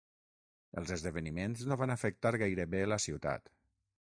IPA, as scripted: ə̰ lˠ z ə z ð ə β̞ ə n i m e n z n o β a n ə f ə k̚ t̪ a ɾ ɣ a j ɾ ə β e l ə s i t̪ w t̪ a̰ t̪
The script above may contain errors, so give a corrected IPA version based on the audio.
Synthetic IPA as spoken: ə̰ lˠ z ə z ð ə β̞ ə n i m e n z n o β a n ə f ə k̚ t̪ a ɾ ɣ a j ɾ ə β e l ə s i w t̪ a̰ t̪